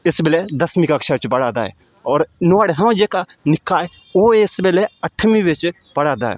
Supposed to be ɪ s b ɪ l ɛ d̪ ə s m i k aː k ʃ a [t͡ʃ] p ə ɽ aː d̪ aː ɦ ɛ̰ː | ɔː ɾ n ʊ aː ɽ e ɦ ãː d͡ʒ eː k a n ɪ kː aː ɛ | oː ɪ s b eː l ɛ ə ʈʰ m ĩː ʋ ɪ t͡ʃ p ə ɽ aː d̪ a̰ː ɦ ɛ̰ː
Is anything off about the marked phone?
no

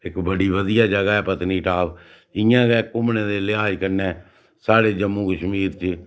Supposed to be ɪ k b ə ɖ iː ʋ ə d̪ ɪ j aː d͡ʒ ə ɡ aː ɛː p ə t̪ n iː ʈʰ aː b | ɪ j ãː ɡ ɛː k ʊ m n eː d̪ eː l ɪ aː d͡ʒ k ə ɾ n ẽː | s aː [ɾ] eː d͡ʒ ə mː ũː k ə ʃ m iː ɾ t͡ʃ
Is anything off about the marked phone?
yes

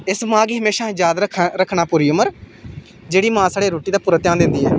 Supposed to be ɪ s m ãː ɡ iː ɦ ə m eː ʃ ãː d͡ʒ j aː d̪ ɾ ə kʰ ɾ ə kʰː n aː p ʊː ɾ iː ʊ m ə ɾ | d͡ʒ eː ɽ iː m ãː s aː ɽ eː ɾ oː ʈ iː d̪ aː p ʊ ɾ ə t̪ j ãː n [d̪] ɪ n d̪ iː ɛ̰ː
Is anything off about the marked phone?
no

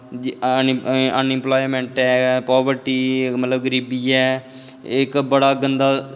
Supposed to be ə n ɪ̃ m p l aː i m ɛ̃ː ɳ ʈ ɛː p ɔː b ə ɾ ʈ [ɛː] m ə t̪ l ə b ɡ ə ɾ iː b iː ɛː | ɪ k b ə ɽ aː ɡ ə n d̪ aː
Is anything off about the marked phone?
yes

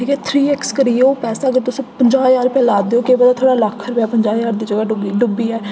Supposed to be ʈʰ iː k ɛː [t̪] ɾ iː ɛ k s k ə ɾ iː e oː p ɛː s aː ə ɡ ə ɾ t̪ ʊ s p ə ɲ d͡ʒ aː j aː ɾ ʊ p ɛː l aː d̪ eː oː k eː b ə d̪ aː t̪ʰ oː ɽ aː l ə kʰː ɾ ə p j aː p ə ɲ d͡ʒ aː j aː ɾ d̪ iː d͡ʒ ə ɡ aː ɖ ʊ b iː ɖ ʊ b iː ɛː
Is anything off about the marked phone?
yes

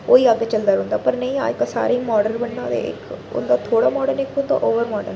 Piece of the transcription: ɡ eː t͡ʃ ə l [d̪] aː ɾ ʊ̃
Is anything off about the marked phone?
no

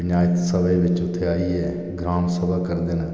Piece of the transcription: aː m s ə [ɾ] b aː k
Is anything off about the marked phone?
yes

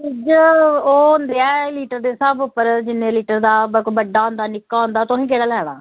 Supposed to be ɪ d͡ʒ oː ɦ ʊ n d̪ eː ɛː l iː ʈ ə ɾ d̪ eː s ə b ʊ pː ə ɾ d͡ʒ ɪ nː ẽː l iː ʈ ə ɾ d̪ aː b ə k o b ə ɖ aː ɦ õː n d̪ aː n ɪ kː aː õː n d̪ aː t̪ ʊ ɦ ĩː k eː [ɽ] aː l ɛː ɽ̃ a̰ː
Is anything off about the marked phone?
no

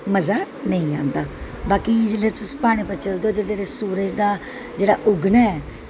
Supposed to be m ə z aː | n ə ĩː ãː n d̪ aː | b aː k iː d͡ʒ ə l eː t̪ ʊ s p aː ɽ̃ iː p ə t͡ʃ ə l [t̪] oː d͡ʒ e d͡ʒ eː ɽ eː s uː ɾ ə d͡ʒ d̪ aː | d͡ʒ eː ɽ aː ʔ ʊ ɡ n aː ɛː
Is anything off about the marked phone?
yes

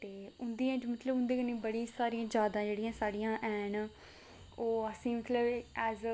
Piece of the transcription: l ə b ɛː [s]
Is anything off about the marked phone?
yes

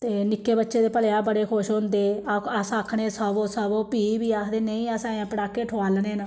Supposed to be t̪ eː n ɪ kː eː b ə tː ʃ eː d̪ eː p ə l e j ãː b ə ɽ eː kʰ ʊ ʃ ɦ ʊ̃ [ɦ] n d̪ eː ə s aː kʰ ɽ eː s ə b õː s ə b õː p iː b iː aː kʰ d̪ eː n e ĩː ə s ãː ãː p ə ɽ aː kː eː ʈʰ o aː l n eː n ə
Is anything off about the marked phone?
yes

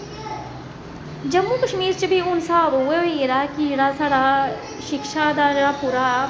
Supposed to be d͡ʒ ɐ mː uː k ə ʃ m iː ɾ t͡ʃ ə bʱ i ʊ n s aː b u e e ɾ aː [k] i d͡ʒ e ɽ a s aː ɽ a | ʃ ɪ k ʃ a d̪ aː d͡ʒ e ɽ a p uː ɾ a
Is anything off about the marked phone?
no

